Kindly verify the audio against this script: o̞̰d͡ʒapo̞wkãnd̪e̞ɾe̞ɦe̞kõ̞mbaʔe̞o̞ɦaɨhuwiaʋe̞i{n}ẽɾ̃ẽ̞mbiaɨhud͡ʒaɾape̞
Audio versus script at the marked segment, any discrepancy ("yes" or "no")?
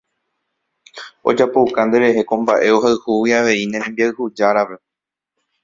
no